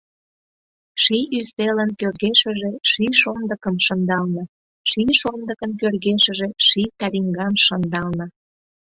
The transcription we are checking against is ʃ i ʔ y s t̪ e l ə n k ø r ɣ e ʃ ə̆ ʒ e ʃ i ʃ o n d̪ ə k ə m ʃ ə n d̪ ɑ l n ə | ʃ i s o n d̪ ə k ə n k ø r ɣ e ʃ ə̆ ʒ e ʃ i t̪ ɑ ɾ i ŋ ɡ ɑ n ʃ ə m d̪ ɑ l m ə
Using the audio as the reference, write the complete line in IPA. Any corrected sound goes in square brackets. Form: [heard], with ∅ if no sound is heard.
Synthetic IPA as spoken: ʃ i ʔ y s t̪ e l ə n k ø r ɣ e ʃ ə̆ ʒ e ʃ i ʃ o n d̪ ə k ə m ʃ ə n d̪ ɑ l n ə | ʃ i [ʃ] o n d̪ ə k ə n k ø r ɣ e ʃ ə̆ ʒ e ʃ i t̪ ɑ ɾ i ŋ ɡ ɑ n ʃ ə [n] d̪ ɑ l [n] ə